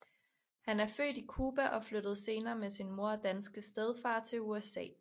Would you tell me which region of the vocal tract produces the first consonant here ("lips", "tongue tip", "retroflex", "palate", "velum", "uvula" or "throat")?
throat